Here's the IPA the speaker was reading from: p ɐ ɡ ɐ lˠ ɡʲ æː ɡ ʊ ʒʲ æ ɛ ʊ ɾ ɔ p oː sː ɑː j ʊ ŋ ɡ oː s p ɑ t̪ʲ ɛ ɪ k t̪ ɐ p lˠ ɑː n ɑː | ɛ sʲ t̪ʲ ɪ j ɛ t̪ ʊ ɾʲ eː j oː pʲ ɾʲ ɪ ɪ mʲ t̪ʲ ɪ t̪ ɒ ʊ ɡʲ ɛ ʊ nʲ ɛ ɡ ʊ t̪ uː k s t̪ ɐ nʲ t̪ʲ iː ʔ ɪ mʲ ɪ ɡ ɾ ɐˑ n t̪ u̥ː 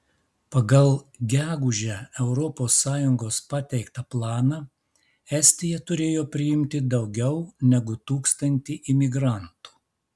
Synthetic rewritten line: p ɐ ɡ ɐ lˠ ɡʲ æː ɡ ʊ ʒʲ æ ɛ ʊ ɾ ɔ p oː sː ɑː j ʊ ŋ ɡ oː s p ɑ t̪ʲ ɛ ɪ k t̪ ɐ p lˠ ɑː n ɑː | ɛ sʲ t̪ʲ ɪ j ɛ t̪ ʊ ɾʲ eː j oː pʲ ɾʲ ɪ ɪ mʲ t̪ʲ ɪ d̪ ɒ ʊ ɡʲ ɛ ʊ nʲ ɛ ɡ ʊ t̪ uː k s t̪ ɐ nʲ t̪ʲ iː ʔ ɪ mʲ ɪ ɡ ɾ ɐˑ n t̪ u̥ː